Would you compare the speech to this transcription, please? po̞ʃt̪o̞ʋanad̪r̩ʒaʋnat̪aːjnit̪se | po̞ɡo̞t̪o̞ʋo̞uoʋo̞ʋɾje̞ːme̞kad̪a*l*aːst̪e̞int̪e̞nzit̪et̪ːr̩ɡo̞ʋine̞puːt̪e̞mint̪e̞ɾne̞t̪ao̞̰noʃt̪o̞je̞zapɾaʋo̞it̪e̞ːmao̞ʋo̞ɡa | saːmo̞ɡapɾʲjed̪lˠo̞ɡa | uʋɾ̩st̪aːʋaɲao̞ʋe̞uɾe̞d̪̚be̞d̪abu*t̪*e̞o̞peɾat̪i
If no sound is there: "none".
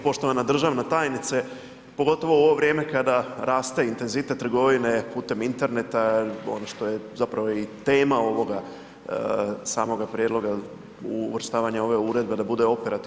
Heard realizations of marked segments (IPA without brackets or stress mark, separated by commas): ɾ, d̪